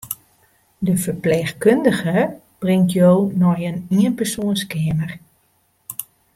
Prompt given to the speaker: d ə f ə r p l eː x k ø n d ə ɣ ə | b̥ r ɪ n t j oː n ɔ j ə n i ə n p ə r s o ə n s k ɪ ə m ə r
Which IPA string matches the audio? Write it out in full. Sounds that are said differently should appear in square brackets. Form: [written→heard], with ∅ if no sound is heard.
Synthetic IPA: d ə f ə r p l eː x k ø n d ə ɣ ə | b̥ r ɪ [n→ŋ] t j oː n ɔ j ə n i ə n p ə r s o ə n s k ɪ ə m ə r

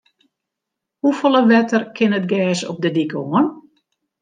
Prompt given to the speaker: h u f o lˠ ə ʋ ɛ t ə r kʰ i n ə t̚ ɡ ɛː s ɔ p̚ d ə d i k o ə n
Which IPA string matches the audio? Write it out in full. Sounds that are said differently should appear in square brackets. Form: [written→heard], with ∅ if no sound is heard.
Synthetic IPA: h u f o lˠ ə ʋ ɛ t ə r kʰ [i→ɪ] n ə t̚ ɡ ɛː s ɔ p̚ d ə d i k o ə n

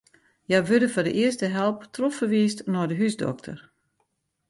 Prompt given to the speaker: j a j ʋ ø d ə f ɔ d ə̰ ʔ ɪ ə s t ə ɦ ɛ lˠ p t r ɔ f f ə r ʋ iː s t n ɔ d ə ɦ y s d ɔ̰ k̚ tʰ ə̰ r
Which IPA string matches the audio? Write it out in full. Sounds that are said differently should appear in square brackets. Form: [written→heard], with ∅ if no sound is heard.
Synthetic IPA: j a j ʋ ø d ə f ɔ d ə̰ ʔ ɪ ə s t ə ɦ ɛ lˠ p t r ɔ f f ə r ʋ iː s t n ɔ d ə ɦ y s d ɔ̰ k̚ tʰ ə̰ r

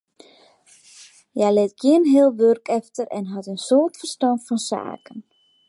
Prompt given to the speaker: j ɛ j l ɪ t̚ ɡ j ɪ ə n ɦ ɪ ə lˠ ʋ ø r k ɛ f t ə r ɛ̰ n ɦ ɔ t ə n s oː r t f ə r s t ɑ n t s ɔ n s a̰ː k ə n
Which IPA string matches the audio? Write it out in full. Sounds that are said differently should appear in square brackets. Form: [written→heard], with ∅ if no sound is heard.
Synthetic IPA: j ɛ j l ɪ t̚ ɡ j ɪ ə n ɦ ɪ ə lˠ ʋ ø r k ɛ f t ə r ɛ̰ n ɦ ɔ t ə n s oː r t f ə r s t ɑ n t [s→f] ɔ n s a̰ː k ə n

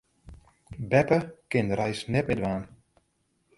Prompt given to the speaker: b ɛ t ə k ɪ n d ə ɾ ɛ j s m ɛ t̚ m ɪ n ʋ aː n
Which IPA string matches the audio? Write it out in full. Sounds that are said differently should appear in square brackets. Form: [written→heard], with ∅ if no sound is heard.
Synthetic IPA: b ɛ [t→p] ə k ɪ n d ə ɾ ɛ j s [m→n] ɛ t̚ m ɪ [n→d] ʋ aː n

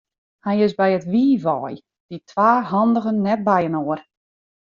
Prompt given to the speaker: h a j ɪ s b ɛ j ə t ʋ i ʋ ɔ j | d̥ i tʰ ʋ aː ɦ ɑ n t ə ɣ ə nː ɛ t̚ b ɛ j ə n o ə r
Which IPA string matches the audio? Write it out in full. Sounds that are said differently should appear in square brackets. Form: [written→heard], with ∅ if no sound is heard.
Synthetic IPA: h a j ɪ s b ɛ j ə t ʋ [i→iː] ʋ ɔ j | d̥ i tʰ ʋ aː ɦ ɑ n [t→d] ə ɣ ə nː ɛ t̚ b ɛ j ə n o ə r

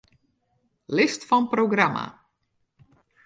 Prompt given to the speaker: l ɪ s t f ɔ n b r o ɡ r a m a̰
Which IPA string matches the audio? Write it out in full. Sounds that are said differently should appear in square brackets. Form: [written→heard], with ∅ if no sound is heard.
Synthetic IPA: l ɪ s t f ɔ n [b→p] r o ɡ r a m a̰

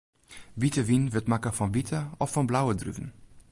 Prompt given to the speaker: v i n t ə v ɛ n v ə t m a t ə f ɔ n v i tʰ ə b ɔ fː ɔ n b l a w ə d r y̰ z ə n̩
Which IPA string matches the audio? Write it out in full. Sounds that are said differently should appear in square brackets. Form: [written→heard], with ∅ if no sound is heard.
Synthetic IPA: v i [n→∅] t ə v [ɛ→i] n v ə t m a [t→k] ə f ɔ n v i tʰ ə [b→∅] ɔ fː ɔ n b l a w ə d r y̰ [z→v] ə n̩

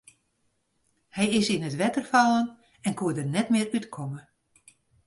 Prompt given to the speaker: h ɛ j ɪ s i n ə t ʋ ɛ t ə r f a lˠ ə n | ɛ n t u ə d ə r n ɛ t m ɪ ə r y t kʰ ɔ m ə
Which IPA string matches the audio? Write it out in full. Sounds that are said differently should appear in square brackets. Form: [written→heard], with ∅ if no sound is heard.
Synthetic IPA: h ɛ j ɪ s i n ə t ʋ ɛ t ə r f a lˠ ə n | ɛ n [t→k] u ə d ə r n ɛ t m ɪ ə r y t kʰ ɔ m ə

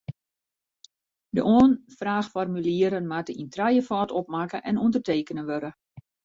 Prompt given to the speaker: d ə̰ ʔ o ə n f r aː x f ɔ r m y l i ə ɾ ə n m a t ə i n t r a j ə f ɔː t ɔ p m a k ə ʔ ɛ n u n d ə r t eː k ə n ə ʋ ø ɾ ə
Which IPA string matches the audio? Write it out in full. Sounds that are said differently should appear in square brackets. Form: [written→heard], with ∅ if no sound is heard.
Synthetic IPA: d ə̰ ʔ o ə n f r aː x f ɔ r m y l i ə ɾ ə n m a t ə i n t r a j ə f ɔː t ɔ p m a k ə ʔ ɛ n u n d ə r t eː k ə n ə ʋ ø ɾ ə

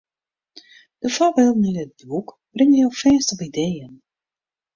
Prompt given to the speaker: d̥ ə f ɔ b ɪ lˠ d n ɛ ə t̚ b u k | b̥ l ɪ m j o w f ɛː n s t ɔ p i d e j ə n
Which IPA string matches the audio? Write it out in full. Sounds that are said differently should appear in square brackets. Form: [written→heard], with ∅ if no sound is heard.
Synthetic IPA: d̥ ə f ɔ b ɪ lˠ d n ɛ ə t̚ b u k | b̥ [l→r] ɪ [m→ŋ] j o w f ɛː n s t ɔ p i d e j ə n

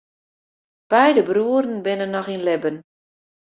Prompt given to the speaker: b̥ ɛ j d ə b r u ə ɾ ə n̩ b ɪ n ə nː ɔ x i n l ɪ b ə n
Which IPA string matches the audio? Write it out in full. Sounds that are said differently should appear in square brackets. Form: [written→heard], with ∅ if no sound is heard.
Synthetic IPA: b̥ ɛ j d ə b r u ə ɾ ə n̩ b ɪ n ə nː ɔ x i n l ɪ b ə n

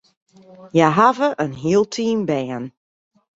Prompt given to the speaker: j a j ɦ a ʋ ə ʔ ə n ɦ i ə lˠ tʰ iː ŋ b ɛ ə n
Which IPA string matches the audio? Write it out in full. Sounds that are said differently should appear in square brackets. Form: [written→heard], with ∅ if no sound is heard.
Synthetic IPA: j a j ɦ a [ʋ→v] ə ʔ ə n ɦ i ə lˠ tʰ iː [ŋ→m] b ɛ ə n

